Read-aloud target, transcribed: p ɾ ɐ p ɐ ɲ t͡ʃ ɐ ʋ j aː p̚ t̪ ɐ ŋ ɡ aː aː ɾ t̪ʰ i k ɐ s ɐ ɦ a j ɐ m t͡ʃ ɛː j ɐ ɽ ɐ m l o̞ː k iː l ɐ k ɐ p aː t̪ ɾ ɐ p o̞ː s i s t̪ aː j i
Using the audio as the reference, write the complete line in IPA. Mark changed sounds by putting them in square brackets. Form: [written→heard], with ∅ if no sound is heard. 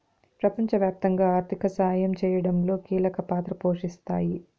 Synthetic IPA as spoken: p ɾ ɐ p ɐ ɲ t͡ʃ ɐ ʋ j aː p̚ t̪ ɐ ŋ ɡ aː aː ɾ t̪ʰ i k ɐ s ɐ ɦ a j ɐ m t͡ʃ ɛː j ɐ ɽ ɐ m l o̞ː k iː l ɐ k ɐ p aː t̪ ɾ ɐ p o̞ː [s→ʂ] i s t̪ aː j i